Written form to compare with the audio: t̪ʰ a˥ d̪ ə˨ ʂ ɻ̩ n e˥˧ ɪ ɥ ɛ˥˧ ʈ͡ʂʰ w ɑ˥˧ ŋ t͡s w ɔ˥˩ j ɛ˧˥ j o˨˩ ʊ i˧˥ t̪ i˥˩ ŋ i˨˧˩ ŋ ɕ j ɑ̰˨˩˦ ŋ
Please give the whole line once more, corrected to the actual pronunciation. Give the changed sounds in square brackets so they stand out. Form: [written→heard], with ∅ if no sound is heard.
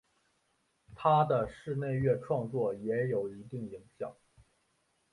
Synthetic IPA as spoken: t̪ʰ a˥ d̪ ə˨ ʂ ɻ̩ n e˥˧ ɪ ɥ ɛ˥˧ ʈ͡ʂʰ w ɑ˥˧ ŋ t͡s w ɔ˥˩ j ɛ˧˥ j o˨˩ ʊ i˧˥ t̪ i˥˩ ŋ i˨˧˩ ŋ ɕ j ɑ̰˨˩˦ ŋ